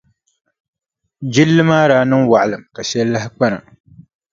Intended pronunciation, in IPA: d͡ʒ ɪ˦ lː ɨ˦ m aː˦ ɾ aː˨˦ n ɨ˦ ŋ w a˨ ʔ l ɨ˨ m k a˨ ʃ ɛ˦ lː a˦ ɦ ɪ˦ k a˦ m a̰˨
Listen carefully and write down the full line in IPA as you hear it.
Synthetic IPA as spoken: d͡ʒ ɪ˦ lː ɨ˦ m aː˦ ɾ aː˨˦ n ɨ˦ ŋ w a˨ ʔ l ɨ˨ m k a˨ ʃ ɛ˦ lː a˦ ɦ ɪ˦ k͡p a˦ n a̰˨